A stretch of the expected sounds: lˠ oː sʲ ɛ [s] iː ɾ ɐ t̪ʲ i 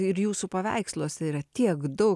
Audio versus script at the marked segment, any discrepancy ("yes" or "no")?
yes